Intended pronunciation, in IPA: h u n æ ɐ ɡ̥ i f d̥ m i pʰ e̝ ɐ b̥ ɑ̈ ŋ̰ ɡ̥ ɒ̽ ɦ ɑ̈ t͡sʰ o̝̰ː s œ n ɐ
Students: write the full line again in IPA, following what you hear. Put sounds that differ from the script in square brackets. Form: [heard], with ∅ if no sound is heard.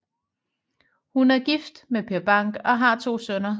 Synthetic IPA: h u n æ ɐ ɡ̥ i f d̥ m [e] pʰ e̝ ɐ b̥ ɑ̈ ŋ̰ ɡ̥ ɒ̽ ɦ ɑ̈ t͡sʰ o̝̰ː s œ n ɐ

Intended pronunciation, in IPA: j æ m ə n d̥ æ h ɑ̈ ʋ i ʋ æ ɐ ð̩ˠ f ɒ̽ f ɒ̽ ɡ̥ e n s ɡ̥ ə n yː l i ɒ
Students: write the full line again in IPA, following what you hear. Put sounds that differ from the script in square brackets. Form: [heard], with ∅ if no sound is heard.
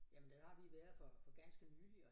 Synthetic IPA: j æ m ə n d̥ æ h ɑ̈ ʋ i ʋ æ ɐ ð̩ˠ f ɒ̽ f ɒ̽ ɡ̥ [æ] n s ɡ̥ ə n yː l i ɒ

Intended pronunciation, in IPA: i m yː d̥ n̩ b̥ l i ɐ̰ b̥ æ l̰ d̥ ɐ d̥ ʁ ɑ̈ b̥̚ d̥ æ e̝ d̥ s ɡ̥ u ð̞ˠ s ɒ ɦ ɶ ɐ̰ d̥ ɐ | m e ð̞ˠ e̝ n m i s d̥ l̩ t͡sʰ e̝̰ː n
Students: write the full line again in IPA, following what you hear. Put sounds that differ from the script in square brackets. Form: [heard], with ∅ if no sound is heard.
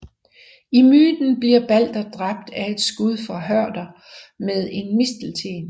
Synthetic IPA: i m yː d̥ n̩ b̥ l i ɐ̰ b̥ æ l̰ d̥ ɐ d̥ ʁ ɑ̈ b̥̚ d̥ æ e̝ d̥ s ɡ̥ u ð̞ˠ [f] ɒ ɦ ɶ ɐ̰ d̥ ɐ | m e ð̞ˠ e̝ n m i s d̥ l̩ t͡sʰ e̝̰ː n

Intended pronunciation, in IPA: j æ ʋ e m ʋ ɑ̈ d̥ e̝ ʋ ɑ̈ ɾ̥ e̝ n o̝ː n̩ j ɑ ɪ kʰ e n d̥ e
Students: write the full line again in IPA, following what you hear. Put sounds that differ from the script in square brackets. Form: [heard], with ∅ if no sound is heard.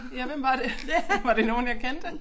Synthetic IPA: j æ ʋ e m ʋ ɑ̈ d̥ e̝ ʋ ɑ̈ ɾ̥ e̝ n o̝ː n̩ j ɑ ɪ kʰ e n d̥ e

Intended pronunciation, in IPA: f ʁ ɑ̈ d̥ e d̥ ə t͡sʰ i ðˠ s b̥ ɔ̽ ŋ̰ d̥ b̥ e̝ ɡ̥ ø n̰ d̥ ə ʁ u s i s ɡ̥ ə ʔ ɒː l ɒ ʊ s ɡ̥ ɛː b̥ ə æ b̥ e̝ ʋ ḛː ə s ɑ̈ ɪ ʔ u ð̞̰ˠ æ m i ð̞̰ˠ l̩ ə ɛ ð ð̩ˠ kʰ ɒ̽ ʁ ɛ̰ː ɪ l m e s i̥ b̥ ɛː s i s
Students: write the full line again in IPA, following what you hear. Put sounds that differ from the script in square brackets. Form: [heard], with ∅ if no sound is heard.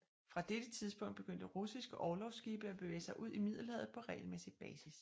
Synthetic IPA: f ʁ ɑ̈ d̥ e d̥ ə t͡sʰ i ðˠ s b̥ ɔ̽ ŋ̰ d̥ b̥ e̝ ɡ̥ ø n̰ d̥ ə ʁ u s i s ɡ̥ ə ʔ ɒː l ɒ ʊ s ɡ̥ [iː] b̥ ə æ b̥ e̝ ʋ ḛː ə s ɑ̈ ɪ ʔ u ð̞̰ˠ [i] m i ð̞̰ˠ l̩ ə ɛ ð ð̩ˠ [pʰ] ɒ̽ ʁ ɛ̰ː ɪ l m e s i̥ b̥ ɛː s i s

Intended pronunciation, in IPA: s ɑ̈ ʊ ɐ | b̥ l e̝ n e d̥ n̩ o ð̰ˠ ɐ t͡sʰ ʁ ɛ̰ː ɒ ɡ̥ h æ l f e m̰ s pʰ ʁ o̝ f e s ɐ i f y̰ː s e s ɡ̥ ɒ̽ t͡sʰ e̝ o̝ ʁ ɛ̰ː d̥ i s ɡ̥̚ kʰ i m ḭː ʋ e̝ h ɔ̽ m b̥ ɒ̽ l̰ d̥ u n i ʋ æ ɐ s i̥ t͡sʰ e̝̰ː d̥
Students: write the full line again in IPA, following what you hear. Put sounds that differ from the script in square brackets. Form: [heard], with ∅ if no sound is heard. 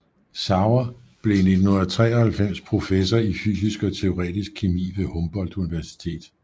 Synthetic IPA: s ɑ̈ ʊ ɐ | b̥ l e̝ n e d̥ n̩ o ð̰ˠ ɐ t͡sʰ ʁ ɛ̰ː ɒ [∅] h æ l f e m̰ s pʰ ʁ o̝ f e s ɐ i f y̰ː s [i] s ɡ̥ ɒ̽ t͡sʰ e̝ o̝ ʁ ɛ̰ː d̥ i s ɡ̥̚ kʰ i m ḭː ʋ e̝ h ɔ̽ m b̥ ɒ̽ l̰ d̥ u n i ʋ æ ɐ s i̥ t͡sʰ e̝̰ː d̥

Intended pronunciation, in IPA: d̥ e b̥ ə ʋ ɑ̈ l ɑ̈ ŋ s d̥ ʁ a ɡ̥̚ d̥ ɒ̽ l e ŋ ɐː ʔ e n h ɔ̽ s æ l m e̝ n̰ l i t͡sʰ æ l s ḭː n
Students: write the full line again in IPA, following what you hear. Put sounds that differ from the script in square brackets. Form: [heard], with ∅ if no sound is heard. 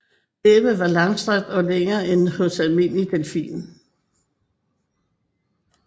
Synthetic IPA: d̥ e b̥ ə ʋ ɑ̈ l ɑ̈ ŋ s d̥ ʁ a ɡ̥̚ d̥ ɒ̽ l e ŋ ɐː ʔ e n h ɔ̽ s æ l m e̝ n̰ l i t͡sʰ [e] l [f] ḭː n

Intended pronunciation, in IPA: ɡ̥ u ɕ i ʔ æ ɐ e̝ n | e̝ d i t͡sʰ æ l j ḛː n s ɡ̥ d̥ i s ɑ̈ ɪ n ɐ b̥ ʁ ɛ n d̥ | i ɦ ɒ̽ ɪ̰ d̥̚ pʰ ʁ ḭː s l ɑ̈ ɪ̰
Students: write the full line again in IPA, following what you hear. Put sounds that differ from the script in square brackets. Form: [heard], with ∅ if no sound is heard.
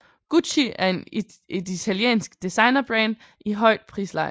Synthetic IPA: ɡ̥ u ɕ i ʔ æ ɐ e̝ n | e̝ d i t͡sʰ æ l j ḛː n s ɡ̥ d̥ i s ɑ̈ ɪ n ɐ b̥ ʁ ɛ n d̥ | i ɦ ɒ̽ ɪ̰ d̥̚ pʰ ʁ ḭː s l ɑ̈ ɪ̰

